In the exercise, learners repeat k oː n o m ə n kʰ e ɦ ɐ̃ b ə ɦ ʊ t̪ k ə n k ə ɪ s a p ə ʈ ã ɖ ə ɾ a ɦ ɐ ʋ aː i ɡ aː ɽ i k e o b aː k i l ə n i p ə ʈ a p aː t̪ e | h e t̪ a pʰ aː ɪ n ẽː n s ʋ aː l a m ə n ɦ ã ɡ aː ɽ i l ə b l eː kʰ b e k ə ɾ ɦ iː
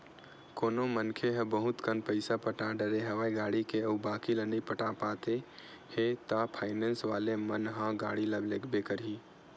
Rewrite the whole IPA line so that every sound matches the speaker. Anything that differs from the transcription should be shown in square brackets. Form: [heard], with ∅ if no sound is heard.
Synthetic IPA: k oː n o m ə n kʰ e ɦ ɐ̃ b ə ɦ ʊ t̪ k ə n [p] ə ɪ s a p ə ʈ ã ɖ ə ɾ [e] ɦ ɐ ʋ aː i ɡ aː ɽ i k e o b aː k i l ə n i p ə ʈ a p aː t̪ e | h e t̪ a pʰ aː ɪ n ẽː n s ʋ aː l [e] m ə n ɦ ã ɡ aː ɽ i l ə b l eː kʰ b e k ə ɾ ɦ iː